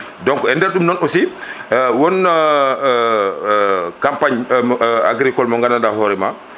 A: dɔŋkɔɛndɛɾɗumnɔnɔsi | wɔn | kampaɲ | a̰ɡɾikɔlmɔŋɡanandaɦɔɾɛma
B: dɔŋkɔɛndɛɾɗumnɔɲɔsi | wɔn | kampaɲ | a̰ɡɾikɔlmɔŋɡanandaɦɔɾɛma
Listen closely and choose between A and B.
A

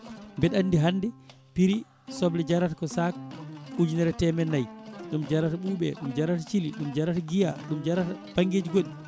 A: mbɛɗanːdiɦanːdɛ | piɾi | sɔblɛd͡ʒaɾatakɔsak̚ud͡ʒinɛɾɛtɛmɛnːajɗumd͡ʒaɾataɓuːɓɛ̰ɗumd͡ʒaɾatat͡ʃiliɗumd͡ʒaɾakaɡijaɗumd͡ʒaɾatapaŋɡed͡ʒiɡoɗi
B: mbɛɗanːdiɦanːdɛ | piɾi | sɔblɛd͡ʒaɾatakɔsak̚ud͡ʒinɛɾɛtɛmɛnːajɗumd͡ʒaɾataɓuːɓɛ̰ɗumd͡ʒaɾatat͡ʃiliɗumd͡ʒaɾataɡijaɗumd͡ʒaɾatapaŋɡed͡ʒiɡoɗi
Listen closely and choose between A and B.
B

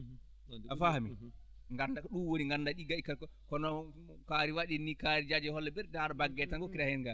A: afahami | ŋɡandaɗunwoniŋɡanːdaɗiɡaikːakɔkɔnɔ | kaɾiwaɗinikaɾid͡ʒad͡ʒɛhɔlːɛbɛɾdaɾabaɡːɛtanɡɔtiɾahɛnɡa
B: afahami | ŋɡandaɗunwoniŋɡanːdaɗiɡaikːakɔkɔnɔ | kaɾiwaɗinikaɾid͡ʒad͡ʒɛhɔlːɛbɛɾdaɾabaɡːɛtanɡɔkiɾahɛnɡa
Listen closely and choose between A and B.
B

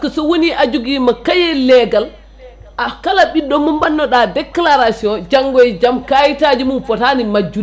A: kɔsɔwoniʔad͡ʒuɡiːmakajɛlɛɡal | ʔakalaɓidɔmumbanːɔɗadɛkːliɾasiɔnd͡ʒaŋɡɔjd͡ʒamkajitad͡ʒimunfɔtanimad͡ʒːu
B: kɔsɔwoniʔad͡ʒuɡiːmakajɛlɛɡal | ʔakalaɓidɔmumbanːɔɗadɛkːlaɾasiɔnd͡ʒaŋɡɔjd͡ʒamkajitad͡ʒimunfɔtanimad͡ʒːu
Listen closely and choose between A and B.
B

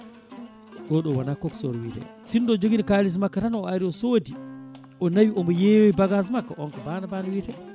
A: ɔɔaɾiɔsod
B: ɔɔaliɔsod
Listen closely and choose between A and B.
A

